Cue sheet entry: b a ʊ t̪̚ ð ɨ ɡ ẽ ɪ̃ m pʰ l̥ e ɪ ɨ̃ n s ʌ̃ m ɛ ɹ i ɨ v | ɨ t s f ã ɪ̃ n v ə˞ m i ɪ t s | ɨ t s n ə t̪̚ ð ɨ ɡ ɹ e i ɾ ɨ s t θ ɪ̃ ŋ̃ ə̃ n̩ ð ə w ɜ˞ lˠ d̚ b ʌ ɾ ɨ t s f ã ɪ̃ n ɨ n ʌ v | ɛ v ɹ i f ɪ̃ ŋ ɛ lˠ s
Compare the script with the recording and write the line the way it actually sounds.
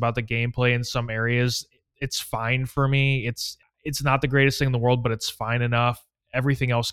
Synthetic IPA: b a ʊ t̪̚ ð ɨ ɡ ẽ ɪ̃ m pʰ l̥ e ɪ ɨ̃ n s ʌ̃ m ɛ ɹ i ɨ z | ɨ t s f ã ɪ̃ n f ə˞ m i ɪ t s | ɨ t s n ə t̪̚ ð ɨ ɡ ɹ e ɪ ɾ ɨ s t θ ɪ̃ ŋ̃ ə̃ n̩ ð ə w ɜ˞ lˠ d̚ b ʌ ɾ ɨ t s f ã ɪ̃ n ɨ n ʌ f | ɛ v ɹ i θ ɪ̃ ŋ ɛ lˠ s